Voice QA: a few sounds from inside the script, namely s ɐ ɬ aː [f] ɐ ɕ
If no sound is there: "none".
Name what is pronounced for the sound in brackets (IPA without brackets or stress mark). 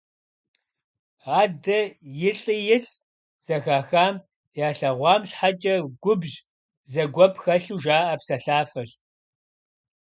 f